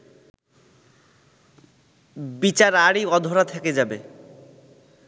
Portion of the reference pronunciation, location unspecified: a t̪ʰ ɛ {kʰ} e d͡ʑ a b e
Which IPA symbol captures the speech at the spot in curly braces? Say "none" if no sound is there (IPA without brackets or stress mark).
k